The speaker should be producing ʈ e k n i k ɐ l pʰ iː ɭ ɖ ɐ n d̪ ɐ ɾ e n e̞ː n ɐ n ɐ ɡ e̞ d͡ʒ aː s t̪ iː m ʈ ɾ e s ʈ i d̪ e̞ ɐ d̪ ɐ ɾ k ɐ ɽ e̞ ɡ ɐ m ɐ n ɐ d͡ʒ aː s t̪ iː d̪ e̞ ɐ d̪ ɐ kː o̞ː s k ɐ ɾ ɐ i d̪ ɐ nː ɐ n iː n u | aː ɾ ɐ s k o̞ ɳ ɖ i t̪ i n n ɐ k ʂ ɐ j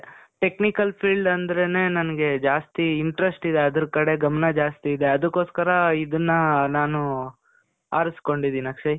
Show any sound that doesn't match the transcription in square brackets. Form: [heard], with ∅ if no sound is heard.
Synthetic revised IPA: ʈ e k n i k ɐ l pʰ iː ɭ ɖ ɐ n d̪ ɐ ɾ e n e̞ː n ɐ n ɐ ɡ e̞ d͡ʒ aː s t̪ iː [ɳ] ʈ ɾ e s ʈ i d̪ e̞ ɐ d̪ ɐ ɾ k ɐ ɽ e̞ ɡ ɐ m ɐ n ɐ d͡ʒ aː s t̪ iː d̪ e̞ ɐ d̪ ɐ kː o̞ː s k ɐ ɾ ɐ i d̪ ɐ nː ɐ n [aː] n u | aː ɾ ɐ s k o̞ ɳ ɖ i [d̪] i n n ɐ k ʂ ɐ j